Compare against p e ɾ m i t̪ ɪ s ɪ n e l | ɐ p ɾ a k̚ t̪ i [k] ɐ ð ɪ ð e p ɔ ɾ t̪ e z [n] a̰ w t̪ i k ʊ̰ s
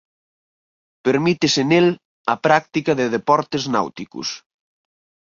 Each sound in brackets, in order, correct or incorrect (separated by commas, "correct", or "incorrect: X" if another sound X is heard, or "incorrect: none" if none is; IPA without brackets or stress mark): correct, correct